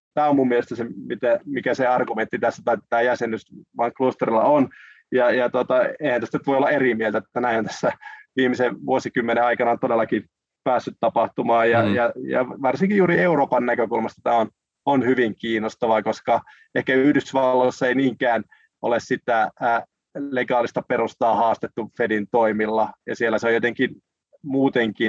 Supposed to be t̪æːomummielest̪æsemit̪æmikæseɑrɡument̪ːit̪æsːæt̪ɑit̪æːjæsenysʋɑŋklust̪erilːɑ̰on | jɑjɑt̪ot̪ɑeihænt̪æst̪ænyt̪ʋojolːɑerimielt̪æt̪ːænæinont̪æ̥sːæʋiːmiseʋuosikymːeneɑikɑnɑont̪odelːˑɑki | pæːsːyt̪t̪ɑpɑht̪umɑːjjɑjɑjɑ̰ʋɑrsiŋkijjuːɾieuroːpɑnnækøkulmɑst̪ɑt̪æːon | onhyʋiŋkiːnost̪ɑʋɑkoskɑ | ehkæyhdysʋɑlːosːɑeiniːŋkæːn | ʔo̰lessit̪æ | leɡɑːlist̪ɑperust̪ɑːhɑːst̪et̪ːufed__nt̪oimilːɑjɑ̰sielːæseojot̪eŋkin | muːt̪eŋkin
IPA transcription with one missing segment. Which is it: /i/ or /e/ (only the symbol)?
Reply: i